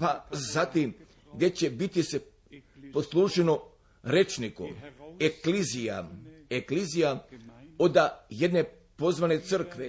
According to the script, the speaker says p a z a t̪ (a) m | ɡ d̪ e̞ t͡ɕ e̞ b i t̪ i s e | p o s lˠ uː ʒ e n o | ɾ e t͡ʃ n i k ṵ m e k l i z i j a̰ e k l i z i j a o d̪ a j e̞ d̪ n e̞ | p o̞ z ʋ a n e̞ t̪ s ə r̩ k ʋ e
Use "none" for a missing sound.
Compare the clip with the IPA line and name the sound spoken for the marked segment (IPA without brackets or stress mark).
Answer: i